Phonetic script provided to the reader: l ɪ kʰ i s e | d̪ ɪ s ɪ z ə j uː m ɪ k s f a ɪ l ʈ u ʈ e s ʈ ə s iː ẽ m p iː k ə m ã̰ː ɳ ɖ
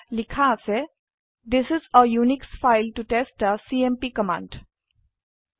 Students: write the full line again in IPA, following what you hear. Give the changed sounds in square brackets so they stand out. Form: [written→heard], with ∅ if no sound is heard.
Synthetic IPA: l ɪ kʰ [i→a] s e | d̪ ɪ s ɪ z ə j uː [m→n] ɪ k s f a ɪ l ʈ u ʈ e s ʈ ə s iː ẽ m p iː k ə m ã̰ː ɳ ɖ